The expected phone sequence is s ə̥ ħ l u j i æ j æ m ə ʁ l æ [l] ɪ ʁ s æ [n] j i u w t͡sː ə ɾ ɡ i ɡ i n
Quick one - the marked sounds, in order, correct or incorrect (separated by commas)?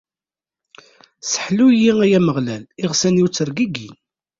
correct, correct